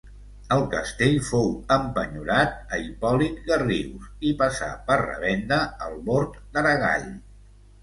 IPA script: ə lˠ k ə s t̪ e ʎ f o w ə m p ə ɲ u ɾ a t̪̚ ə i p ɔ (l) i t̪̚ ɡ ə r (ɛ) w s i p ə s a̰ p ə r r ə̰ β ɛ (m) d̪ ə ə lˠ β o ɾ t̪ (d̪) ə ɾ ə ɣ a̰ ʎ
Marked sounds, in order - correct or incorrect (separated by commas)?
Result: correct, incorrect, incorrect, correct